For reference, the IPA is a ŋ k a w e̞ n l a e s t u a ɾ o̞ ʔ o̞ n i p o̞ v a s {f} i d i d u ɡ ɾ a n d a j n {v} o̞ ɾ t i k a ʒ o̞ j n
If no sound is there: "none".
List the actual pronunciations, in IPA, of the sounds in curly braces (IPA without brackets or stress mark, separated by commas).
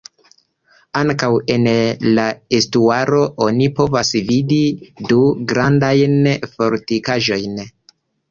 v, f